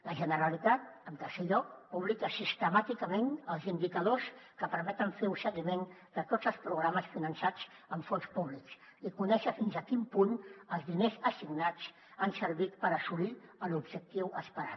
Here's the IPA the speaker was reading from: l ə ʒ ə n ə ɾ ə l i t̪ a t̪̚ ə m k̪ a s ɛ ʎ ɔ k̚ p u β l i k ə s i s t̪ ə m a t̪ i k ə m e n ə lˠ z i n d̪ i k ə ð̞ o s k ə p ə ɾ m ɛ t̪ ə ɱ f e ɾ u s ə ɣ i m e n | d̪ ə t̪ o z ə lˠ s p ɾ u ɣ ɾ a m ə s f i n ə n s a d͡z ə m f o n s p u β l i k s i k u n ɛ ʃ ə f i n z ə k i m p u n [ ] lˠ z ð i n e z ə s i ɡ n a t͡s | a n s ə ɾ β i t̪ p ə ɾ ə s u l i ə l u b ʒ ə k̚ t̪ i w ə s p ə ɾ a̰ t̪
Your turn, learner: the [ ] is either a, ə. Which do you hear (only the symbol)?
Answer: ə